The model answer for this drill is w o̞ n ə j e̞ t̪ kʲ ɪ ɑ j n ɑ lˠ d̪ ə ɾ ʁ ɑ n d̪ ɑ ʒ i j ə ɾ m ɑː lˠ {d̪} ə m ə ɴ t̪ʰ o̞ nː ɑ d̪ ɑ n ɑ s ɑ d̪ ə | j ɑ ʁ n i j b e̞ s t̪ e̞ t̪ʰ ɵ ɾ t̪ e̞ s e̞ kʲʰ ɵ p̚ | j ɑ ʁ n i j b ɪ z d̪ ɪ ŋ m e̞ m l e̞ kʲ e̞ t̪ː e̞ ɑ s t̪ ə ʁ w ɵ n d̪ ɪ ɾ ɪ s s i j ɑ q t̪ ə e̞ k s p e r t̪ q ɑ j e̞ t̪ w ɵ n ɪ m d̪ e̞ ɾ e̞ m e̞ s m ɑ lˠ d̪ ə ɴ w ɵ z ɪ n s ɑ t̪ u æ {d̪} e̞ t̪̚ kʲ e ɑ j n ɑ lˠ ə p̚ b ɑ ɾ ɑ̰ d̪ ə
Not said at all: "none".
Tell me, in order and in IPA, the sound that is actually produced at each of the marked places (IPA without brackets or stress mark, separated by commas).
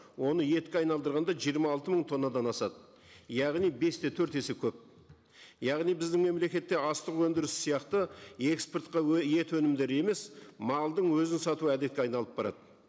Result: t̪, d̪